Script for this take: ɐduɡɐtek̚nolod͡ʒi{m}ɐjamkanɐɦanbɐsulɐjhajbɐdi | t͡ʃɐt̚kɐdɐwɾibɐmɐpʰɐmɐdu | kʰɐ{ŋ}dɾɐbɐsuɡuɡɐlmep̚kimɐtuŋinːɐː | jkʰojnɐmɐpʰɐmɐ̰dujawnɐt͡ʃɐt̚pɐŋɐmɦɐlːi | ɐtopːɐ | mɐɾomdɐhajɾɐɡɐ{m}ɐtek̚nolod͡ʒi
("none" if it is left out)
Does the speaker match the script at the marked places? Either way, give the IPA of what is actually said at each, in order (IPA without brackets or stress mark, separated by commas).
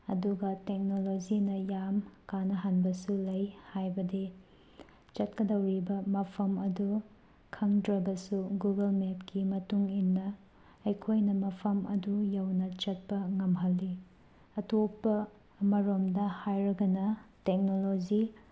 n, ŋ, n